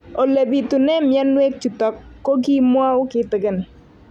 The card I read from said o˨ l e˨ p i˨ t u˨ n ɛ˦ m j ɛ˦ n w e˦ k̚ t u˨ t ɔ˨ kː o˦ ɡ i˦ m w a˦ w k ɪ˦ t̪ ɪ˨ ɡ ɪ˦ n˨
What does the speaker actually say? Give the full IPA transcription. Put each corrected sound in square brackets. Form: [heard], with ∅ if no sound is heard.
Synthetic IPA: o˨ l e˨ [b] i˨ t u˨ n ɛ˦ m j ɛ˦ n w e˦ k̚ [t͡ʃ] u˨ t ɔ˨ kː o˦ ɡ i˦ m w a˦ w k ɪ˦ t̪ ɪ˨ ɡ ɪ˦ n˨

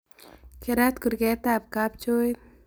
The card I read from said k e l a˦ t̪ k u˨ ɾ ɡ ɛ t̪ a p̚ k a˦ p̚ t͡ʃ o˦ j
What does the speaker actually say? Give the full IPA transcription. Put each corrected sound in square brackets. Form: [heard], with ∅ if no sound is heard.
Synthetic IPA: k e [ɾ] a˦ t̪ k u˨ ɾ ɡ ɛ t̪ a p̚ k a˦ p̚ t͡ʃ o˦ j

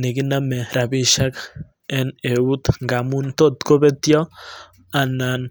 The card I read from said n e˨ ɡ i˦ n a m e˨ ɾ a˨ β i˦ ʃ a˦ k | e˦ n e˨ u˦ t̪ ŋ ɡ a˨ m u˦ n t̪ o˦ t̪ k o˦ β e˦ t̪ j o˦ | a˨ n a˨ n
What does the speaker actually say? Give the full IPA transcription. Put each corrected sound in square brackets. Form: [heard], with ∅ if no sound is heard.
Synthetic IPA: n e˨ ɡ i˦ n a m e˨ ɾ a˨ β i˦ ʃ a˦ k | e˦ n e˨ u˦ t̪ ŋ ɡ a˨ m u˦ n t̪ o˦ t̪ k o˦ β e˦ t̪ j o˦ | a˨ n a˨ n

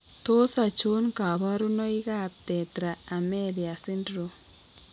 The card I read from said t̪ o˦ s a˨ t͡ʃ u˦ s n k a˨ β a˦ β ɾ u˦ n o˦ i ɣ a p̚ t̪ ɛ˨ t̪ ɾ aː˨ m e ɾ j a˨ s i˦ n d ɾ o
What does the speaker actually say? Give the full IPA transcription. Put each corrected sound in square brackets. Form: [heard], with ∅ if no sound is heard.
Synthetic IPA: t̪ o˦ s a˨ t͡ʃ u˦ [∅] n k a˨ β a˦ [∅] ɾ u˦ n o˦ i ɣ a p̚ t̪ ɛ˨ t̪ ɾ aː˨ m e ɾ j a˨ s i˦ n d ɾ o

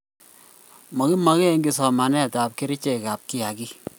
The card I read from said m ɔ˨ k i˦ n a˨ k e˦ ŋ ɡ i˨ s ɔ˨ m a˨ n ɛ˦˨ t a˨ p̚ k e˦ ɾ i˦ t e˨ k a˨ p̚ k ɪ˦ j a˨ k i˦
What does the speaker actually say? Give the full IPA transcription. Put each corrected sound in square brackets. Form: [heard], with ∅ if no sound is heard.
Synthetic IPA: m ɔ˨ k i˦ [m] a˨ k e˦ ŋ ɡ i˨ s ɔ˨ m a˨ n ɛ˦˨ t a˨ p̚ k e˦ ɾ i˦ [t͡ʃ] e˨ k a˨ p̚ k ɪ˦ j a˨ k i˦

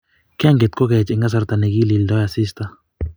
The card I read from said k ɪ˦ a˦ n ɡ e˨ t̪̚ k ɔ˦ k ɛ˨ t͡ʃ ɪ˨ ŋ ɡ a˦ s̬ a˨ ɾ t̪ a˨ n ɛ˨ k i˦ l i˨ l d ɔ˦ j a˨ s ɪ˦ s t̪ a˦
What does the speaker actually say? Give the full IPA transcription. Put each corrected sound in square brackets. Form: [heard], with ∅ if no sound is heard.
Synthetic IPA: k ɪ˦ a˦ [ŋ] ɡ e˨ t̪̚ k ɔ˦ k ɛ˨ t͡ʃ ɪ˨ ŋ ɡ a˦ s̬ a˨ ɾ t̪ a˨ n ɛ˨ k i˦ l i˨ l d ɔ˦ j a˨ s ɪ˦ s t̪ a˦

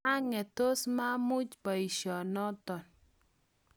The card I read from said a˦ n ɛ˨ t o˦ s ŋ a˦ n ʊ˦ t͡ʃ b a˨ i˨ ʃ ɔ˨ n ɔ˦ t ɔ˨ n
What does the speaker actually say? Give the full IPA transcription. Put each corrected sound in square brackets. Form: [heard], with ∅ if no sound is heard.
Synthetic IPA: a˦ [ŋ] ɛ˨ t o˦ s [m] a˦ [m] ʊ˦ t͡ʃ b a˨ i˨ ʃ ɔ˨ n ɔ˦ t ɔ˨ n

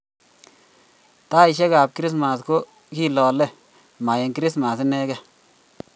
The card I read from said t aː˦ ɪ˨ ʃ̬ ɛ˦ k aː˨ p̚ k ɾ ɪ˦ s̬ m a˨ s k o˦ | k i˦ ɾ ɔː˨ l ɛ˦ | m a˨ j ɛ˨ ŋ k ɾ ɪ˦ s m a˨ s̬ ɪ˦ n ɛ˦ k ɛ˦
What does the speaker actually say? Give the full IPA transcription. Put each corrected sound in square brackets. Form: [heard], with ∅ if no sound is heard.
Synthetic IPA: t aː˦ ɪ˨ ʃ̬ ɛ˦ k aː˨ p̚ k ɾ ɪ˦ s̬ m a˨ s k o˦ | k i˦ [l] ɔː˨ l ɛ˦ | m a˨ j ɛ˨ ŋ k ɾ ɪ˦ s m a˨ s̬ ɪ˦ n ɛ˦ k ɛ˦

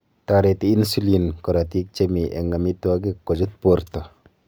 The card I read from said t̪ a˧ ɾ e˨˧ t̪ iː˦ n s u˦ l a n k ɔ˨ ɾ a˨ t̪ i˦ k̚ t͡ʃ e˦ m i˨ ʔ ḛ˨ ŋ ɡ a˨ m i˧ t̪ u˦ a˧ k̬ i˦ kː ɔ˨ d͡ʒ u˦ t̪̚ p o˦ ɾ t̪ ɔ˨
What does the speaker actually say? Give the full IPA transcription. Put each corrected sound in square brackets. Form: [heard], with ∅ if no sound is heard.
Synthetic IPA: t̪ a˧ ɾ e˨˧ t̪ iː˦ n s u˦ l [i] n k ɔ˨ ɾ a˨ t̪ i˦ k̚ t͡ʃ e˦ m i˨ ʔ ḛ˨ ŋ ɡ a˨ m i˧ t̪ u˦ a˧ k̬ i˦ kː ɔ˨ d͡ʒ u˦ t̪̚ p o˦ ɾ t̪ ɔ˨

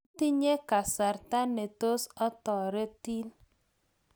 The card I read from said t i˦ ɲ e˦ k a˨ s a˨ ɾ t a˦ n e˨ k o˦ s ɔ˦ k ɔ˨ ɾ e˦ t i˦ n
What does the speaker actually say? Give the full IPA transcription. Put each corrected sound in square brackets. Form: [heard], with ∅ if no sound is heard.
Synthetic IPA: t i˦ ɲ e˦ k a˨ s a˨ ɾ t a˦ n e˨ [t] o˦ s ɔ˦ [t] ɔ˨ ɾ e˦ t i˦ n

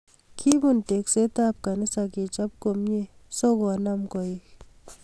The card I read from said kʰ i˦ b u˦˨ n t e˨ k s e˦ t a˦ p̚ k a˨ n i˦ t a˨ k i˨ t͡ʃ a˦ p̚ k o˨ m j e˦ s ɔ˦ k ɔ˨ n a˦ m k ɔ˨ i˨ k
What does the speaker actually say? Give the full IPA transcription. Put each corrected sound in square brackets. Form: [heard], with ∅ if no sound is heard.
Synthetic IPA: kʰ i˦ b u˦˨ n t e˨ k s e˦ t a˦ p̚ k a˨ n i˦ [s] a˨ k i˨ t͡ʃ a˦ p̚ k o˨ m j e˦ s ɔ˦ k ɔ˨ n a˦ m k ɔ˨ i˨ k

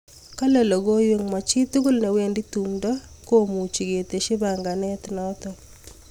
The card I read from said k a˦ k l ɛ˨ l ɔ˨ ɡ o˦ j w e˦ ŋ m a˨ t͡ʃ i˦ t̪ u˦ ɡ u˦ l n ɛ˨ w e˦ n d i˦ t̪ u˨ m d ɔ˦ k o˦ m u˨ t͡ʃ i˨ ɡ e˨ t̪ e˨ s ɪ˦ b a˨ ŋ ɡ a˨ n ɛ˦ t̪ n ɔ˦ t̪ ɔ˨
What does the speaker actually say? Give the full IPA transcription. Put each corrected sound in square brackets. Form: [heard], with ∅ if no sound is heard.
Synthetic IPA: k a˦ [∅] l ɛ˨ l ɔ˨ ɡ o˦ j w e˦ ŋ m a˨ t͡ʃ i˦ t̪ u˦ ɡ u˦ l n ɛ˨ w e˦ n d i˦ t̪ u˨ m d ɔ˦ k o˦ m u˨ t͡ʃ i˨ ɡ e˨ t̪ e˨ [ʃ] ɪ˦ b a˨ ŋ ɡ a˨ n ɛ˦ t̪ n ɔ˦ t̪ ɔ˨

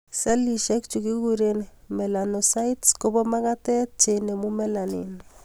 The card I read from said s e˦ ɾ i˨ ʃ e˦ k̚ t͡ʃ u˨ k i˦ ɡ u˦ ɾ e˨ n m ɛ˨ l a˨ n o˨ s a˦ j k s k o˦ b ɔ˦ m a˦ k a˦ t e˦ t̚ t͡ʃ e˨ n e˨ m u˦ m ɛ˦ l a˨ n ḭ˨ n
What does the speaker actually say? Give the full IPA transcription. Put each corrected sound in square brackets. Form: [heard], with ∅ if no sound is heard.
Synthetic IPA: s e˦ [l] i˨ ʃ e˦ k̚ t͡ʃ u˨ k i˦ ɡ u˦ ɾ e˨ n m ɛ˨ l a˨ n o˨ s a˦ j [t] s k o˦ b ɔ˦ m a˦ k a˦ t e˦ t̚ t͡ʃ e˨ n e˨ m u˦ m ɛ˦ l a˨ n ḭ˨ n

